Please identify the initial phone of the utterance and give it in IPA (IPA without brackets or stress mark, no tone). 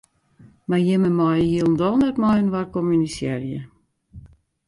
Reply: m